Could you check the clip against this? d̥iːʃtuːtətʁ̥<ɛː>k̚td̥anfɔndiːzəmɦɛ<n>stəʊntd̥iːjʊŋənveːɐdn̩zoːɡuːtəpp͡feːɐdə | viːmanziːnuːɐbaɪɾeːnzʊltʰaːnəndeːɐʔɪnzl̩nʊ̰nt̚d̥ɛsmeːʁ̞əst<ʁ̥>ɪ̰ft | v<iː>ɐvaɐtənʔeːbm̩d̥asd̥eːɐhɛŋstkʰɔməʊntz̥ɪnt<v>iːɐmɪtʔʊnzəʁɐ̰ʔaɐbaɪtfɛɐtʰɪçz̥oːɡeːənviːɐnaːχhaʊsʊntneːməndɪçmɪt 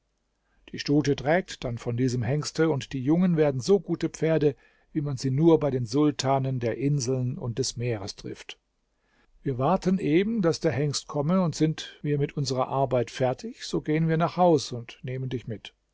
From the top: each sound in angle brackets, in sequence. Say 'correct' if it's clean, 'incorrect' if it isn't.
correct, incorrect, correct, correct, correct

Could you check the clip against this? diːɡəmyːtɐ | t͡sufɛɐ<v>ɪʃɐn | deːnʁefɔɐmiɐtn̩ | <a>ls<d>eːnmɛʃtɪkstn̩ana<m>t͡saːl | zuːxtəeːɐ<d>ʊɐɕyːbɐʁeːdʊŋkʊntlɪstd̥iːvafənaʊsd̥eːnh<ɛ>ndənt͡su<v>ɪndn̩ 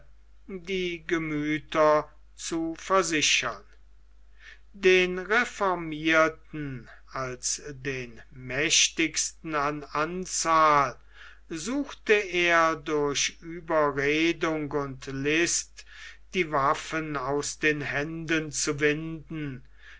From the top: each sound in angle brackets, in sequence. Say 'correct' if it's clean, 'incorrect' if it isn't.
incorrect, correct, correct, incorrect, correct, correct, correct

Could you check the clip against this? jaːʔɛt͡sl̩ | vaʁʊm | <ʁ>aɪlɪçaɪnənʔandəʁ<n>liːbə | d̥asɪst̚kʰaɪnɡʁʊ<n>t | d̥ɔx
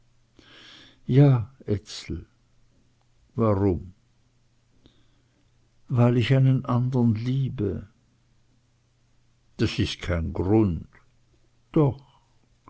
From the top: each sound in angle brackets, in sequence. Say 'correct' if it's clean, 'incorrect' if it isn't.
incorrect, correct, correct

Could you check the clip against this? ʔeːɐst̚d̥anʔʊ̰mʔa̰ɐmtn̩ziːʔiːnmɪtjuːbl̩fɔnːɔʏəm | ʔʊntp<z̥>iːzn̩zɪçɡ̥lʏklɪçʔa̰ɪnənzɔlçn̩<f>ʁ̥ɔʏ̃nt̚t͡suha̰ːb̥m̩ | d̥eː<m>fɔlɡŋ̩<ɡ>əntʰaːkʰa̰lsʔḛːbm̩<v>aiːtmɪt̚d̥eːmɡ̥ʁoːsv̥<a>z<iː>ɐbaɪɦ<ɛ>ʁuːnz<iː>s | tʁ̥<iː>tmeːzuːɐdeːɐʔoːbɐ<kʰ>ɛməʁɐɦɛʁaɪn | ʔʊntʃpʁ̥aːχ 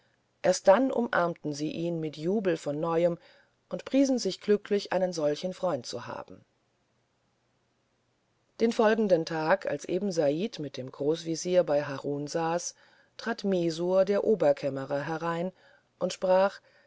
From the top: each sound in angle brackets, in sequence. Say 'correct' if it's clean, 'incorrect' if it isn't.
incorrect, correct, incorrect, incorrect, incorrect, incorrect, correct, incorrect, incorrect, incorrect, correct

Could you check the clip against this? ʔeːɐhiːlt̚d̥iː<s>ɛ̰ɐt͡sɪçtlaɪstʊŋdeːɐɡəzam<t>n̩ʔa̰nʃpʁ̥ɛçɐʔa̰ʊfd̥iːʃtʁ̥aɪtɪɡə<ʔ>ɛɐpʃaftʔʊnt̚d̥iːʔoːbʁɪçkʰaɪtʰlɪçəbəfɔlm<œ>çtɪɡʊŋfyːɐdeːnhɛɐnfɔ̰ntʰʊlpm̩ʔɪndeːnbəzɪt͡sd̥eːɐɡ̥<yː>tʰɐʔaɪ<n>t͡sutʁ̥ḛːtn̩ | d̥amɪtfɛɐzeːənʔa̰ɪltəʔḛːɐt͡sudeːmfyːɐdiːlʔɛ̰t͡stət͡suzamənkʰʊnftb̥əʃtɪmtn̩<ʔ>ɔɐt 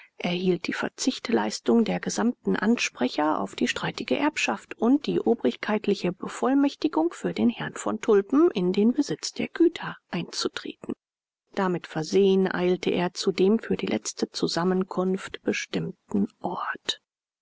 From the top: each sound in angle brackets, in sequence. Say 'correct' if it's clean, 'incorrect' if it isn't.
incorrect, correct, correct, incorrect, correct, correct, correct

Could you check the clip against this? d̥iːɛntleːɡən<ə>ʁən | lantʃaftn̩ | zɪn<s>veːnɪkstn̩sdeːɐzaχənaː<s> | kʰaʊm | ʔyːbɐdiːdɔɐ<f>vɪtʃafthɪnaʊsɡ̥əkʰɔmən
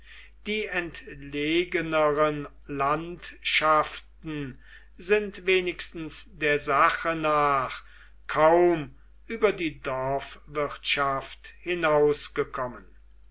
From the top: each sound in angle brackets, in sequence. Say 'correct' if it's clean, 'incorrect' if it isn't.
correct, incorrect, incorrect, correct

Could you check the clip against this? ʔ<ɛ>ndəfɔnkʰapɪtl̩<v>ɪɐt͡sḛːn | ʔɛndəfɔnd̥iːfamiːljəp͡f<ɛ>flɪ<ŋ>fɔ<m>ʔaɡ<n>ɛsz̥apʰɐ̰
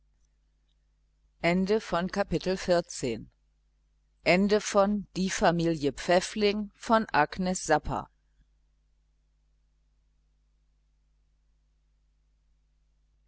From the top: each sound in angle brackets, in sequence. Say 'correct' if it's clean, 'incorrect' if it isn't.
correct, incorrect, correct, correct, incorrect, correct

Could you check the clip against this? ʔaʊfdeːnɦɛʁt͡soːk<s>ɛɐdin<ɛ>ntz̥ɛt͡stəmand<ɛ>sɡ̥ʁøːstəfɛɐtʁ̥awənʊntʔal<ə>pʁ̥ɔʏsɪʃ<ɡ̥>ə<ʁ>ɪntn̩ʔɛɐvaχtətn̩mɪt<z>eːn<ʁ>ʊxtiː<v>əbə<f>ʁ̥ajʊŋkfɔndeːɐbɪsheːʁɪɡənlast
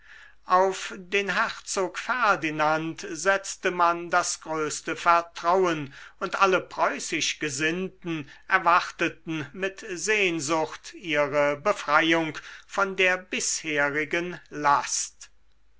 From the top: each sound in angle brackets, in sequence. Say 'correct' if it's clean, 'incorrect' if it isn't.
incorrect, incorrect, incorrect, correct, correct, incorrect, correct, incorrect, incorrect, correct

